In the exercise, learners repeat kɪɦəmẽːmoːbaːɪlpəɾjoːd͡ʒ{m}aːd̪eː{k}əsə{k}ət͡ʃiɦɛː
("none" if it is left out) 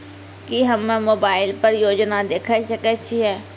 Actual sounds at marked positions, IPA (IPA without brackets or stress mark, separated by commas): n, kʰ, k